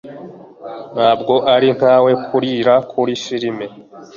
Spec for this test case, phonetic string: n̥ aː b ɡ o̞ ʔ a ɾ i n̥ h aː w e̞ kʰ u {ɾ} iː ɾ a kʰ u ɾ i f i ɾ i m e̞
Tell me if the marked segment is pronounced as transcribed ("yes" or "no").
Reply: yes